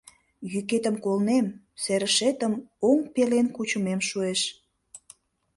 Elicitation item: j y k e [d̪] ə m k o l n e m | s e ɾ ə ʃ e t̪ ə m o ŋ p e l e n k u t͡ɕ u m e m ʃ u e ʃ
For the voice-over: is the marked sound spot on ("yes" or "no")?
no